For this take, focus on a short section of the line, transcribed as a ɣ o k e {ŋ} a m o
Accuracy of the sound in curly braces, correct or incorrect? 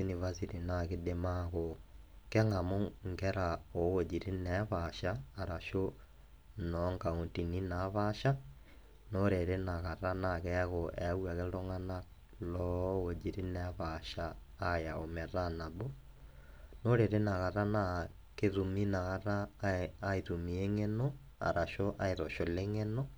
correct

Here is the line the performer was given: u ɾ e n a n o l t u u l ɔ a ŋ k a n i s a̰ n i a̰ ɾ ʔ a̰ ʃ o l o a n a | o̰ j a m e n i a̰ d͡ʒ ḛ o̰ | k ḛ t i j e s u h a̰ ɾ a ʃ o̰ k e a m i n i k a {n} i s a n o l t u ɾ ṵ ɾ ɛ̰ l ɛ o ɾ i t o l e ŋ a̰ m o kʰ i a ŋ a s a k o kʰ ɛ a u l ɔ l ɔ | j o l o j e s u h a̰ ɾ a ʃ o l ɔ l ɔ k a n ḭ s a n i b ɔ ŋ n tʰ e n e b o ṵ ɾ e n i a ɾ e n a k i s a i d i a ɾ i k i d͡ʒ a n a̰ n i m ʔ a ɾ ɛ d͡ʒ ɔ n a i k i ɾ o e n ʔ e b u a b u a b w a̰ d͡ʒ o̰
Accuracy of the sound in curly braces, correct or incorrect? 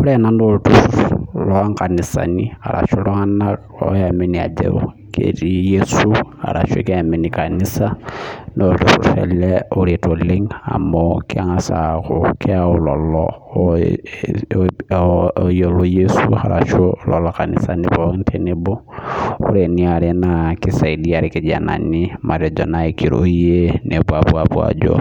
correct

